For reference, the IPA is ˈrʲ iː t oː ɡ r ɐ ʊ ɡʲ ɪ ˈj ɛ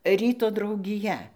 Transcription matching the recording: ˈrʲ iː t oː d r ɐ ʊ ɡʲ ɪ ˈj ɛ